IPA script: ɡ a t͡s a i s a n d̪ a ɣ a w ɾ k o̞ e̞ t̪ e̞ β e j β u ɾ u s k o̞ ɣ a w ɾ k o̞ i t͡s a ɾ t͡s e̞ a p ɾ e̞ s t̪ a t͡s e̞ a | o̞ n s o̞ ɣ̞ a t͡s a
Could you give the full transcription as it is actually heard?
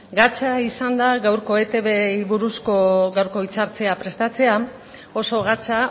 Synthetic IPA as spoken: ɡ a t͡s a i s a n d̪ a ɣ a w ɾ k o̞ e̞ t̪ e̞ β e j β u ɾ u s k o̞ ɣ a w ɾ k o̞ i t͡s a ɾ t͡s e̞ a p ɾ e̞ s t̪ a t͡s e̞ a | o̞ s o̞ ɣ̞ a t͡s a